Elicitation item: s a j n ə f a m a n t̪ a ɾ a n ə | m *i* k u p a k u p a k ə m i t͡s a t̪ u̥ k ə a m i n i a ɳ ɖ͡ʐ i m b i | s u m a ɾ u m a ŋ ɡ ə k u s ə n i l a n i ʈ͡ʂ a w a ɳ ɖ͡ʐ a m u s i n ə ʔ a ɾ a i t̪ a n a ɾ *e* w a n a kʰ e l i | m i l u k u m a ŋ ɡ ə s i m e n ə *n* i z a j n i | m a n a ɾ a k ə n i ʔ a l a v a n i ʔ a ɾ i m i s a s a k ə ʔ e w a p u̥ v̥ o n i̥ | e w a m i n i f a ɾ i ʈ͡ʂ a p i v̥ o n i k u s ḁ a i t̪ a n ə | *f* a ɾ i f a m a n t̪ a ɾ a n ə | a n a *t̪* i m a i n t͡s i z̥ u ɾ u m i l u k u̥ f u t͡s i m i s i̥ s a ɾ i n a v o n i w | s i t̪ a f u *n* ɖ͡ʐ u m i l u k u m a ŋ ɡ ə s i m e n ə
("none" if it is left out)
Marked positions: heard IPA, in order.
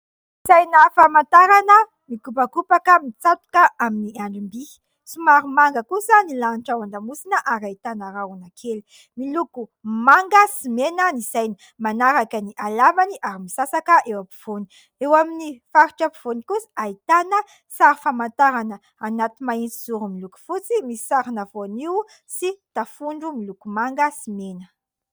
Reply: i, a, n, s, t̪, ɳ

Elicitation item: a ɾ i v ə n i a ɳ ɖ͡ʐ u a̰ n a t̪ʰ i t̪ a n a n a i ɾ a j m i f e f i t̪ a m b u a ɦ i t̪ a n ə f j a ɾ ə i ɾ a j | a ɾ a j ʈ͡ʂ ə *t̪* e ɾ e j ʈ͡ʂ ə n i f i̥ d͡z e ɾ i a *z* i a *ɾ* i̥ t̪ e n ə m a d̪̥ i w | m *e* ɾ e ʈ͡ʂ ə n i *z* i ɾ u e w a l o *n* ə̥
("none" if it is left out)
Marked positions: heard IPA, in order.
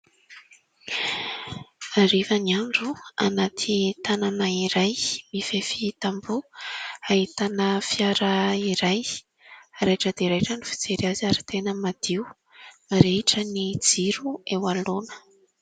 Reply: d̪, z, ɾ, a, d͡z, n

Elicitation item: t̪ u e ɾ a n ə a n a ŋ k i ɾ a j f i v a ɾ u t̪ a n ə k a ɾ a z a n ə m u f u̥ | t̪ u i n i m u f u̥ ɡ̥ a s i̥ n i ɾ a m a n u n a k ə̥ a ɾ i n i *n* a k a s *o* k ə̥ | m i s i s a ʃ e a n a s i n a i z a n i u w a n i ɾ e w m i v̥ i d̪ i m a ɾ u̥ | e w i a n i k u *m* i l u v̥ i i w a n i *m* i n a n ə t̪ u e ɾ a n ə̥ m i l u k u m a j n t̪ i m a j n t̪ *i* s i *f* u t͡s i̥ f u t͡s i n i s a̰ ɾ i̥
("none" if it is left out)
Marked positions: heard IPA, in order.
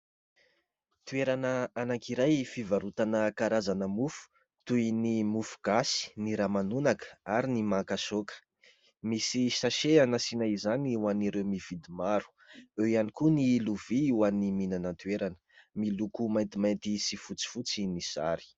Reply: m, o, n, m, i, f

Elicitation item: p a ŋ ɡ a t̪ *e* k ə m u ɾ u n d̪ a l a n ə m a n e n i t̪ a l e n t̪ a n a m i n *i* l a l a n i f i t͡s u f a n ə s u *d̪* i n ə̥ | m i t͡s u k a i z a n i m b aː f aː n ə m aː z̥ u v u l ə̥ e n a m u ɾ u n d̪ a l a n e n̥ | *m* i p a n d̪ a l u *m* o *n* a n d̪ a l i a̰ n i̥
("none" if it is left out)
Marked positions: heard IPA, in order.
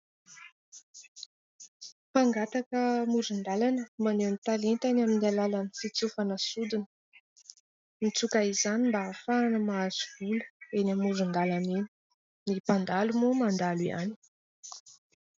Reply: a, a, d̪, n, m, m

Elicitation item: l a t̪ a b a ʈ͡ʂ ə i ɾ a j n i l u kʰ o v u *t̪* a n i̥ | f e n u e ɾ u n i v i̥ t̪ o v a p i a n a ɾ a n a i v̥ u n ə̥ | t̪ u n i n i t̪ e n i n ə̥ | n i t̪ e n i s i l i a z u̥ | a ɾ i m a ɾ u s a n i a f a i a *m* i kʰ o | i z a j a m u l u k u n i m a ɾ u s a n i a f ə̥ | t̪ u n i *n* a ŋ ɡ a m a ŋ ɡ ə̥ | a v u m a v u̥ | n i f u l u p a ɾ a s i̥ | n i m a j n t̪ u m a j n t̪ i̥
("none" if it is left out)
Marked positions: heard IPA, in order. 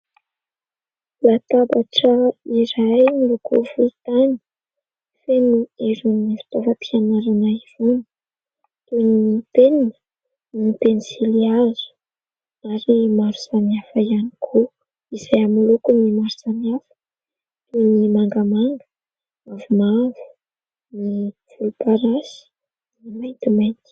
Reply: t̪, n, m

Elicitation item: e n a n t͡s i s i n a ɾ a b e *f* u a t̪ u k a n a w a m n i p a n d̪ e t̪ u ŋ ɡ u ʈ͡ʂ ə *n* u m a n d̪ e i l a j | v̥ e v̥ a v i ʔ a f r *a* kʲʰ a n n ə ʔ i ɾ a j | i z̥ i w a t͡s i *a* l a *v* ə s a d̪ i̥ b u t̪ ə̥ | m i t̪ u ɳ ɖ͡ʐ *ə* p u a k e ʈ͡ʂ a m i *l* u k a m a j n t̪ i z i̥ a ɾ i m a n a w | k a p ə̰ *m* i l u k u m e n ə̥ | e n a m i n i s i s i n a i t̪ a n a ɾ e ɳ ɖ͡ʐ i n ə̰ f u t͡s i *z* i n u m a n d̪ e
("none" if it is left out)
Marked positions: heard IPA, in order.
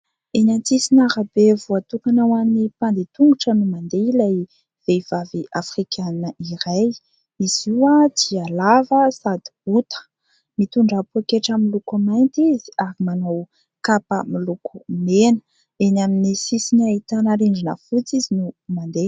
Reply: v, n, i, a, v, a, l, m, z

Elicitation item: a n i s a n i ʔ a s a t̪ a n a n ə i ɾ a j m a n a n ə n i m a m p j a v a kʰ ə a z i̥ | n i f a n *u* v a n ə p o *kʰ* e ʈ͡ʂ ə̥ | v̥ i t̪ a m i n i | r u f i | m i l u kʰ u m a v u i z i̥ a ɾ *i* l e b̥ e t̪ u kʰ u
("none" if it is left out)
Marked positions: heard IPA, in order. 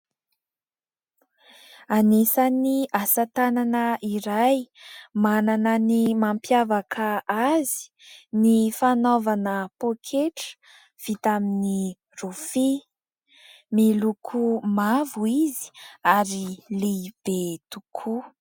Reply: o, kʰ, i

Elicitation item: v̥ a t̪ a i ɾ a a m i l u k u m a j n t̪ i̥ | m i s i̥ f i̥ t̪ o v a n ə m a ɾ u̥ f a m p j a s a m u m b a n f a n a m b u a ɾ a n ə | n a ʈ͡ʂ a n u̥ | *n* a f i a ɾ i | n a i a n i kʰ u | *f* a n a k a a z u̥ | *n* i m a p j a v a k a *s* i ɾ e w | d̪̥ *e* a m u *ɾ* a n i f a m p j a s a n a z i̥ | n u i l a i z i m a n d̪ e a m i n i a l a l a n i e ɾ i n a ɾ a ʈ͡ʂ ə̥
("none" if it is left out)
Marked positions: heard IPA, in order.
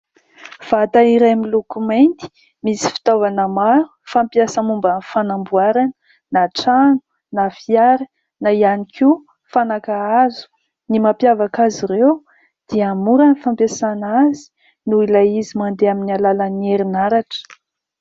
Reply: n, f, n, z, i, ɾ

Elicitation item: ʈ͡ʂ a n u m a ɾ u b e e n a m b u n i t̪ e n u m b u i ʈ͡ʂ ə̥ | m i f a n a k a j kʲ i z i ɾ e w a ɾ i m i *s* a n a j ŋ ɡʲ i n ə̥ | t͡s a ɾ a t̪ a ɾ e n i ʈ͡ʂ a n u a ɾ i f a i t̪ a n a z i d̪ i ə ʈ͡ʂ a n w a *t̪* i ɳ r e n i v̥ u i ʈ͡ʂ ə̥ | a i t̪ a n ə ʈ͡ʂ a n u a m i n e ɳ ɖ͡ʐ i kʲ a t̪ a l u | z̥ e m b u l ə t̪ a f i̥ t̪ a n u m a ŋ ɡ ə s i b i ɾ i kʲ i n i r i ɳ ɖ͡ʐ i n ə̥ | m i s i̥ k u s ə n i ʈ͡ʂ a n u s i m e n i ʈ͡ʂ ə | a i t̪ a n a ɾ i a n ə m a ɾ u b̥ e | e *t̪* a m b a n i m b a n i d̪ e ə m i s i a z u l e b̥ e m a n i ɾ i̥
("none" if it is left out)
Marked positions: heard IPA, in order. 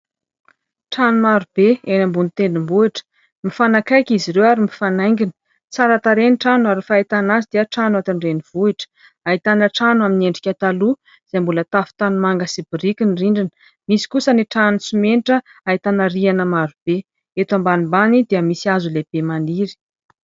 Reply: f, t̪, t̪

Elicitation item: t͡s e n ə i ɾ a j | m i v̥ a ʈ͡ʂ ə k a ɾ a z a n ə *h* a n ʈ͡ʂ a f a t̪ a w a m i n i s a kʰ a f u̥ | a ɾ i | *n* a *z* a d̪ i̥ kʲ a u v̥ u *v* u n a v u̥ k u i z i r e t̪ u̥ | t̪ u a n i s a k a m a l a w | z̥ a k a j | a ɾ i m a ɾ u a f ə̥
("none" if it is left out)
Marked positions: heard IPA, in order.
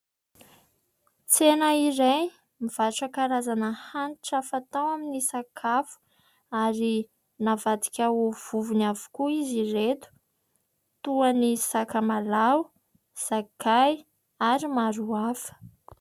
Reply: h, n, v, v

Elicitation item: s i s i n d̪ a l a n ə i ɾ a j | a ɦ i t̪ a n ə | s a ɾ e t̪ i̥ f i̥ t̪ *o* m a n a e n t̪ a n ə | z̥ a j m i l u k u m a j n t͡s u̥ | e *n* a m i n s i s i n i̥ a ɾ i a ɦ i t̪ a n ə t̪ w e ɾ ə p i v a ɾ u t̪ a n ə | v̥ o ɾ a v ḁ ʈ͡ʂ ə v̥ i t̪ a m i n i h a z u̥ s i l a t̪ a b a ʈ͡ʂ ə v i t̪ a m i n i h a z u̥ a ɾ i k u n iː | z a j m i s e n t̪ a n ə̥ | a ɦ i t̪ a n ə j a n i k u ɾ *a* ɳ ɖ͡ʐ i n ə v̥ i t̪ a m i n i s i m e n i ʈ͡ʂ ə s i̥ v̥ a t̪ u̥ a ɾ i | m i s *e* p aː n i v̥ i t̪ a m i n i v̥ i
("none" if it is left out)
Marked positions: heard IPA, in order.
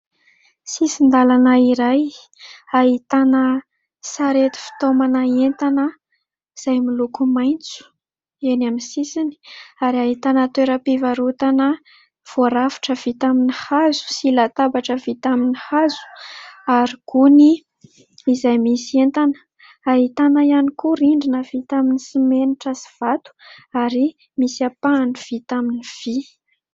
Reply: o, n, i, a

